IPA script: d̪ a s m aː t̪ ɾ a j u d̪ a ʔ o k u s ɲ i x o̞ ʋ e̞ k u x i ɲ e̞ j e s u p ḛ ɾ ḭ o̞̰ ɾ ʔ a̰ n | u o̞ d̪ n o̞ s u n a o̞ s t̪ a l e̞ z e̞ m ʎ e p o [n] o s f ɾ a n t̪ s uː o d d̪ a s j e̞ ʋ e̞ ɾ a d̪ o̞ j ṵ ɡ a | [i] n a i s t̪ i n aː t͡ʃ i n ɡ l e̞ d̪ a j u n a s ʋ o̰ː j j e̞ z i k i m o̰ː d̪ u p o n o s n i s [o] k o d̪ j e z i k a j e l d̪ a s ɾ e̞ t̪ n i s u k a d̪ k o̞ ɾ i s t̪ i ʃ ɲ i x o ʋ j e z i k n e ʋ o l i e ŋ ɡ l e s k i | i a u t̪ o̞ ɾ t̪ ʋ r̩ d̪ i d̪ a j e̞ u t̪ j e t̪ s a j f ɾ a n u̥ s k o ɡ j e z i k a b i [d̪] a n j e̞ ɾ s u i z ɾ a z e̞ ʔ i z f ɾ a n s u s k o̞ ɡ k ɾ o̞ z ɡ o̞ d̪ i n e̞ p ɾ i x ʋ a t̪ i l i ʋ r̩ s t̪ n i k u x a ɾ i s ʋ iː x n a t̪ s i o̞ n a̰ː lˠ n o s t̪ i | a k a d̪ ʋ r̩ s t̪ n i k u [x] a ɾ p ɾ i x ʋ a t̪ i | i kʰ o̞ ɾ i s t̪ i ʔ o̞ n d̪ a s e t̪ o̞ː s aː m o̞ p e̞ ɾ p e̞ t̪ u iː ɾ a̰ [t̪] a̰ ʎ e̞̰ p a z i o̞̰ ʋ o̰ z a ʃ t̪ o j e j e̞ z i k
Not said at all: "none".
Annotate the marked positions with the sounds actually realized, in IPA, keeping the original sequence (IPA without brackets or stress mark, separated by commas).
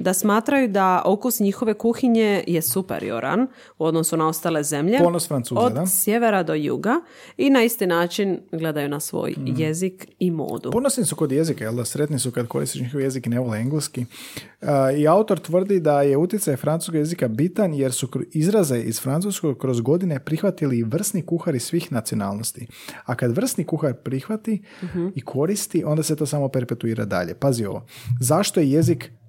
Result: n, i, u, t̪, x, d̪